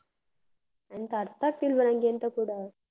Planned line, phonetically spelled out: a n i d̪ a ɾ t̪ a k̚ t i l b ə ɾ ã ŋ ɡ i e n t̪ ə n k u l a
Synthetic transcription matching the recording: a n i t̪ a ɾ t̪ a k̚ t i l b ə ɾ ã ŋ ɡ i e n t̪ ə k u ɽ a